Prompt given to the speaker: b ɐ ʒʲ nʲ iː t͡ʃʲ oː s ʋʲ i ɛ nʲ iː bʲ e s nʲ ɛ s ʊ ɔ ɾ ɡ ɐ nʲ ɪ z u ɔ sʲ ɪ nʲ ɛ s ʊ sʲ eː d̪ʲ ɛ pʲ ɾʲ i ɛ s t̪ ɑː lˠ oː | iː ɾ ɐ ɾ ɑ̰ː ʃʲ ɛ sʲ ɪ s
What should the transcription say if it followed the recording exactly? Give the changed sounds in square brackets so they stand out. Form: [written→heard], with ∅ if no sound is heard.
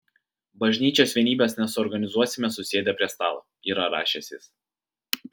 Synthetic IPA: b ɐ ʒʲ nʲ iː t͡ʃʲ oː s ʋʲ i ɛ nʲ iː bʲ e s nʲ ɛ s ʊ ɔ ɾ ɡ ɐ nʲ ɪ z u ɔ sʲ ɪ [nʲ→mʲ] ɛ s ʊ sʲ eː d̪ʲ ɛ pʲ ɾʲ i ɛ s t̪ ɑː lˠ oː | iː ɾ ɐ ɾ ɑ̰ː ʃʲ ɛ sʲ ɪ s

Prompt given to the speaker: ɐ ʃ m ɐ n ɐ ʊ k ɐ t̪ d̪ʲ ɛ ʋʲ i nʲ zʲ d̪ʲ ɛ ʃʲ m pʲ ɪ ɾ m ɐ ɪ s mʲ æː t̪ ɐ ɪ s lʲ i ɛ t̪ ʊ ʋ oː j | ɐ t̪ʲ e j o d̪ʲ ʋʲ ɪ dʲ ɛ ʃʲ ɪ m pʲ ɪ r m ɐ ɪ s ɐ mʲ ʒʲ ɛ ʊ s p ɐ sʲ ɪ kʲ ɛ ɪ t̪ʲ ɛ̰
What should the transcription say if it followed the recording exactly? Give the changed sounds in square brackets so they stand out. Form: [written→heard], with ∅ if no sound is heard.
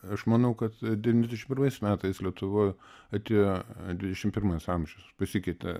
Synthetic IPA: ɐ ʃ m ɐ n ɐ ʊ k ɐ t̪ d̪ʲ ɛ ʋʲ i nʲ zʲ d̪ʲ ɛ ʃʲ m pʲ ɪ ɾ m ɐ ɪ s mʲ æː t̪ ɐ ɪ s lʲ i ɛ t̪ ʊ ʋ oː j | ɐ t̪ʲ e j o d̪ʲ ʋʲ ɪ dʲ ɛ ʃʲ ɪ m pʲ ɪ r m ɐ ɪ s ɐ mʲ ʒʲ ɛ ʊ s p ɐ sʲ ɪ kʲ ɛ ɪ t̪ʲ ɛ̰

